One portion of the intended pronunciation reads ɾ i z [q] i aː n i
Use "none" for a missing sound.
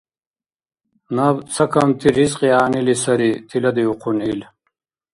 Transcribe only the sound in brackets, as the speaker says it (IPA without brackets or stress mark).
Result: q